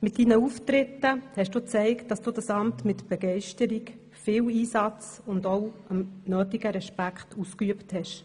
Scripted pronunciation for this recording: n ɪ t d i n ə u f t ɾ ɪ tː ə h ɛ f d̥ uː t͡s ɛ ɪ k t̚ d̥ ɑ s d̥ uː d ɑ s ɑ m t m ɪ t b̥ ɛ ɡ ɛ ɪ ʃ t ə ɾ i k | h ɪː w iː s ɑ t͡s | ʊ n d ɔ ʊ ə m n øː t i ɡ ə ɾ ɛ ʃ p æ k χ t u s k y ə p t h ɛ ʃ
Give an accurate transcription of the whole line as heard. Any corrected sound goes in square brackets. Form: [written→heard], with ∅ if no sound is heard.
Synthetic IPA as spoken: [n→m] ɪ t d i n ə u f t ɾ ɪ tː ə h ɛ [f→ʃ] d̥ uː t͡s ɛ ɪ k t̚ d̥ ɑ s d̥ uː d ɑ s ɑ m t m ɪ t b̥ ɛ ɡ ɛ ɪ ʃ t ə ɾ i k | [h→f] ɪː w iː s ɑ t͡s | ʊ n d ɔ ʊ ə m n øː t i ɡ ə ɾ ɛ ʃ p æ k χ t u s k y ə p t h ɛ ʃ